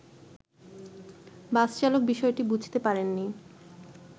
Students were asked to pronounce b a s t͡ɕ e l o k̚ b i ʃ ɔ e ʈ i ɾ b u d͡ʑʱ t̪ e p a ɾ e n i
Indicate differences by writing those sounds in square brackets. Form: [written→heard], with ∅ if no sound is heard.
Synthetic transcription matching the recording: b a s t͡ɕ [e→a] l o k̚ b i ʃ ɔ e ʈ i [ɾ→∅] b u d͡ʑʱ t̪ e p a ɾ e [n→nː] i